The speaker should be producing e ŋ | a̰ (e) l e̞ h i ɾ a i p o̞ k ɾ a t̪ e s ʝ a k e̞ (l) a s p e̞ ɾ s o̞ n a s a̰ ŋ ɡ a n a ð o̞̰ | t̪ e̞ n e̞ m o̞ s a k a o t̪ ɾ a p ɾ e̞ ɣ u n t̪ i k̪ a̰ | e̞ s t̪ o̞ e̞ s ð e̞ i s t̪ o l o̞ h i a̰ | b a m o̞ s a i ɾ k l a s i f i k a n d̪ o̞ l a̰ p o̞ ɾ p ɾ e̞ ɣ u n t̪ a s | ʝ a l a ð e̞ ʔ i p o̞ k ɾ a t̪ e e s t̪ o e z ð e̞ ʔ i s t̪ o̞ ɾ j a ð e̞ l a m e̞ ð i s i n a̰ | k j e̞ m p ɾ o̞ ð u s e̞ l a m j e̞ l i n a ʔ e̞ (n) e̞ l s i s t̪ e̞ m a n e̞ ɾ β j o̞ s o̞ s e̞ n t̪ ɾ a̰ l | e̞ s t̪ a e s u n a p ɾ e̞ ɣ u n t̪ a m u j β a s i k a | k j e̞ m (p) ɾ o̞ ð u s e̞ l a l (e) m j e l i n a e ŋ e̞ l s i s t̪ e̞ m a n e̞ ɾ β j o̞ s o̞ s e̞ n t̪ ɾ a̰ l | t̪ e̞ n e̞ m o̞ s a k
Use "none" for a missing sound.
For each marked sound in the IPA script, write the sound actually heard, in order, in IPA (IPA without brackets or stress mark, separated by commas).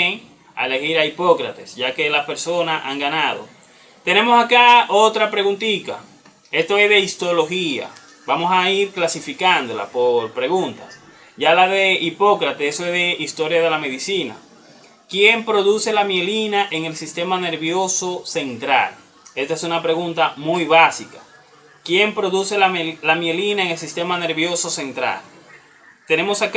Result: e, l, ŋ, p, a